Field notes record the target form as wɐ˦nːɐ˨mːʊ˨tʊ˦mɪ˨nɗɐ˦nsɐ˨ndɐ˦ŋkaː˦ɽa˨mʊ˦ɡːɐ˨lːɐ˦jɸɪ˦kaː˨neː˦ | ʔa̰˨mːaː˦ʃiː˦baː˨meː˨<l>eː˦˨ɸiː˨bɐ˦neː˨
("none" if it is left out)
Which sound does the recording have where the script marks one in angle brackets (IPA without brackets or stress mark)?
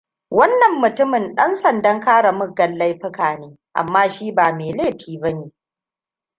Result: l